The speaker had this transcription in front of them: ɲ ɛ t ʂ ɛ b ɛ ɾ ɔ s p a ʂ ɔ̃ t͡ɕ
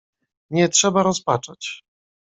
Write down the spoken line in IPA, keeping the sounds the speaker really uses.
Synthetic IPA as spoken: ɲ ɛ t ʂ ɛ b a ɾ ɔ s p a t͡ʂ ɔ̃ t͡ɕ